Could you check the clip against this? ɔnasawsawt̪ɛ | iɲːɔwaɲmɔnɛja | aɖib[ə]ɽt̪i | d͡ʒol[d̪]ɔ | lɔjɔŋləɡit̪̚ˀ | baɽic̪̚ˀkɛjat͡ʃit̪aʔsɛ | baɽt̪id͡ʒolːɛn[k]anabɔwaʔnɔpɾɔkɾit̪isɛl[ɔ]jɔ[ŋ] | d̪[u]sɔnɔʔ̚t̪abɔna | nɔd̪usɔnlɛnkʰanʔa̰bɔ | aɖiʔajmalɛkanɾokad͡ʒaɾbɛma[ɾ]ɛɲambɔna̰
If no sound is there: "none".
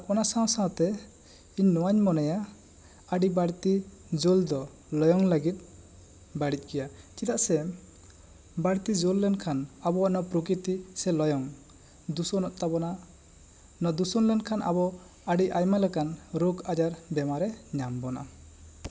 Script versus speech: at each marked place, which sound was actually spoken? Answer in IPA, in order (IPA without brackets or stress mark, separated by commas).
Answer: a, d̪, kʰ, ɔ, ŋ, u, ɾ